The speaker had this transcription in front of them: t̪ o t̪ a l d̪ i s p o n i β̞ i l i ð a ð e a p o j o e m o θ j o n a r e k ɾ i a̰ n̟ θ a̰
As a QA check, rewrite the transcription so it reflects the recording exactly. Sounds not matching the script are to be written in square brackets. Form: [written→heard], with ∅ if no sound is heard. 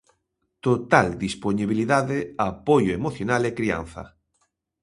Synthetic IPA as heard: t̪ o t̪ a l d̪ i s p o n i β̞ i l i ð a ð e a p o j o e m o θ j o n a [r→l] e k ɾ i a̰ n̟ θ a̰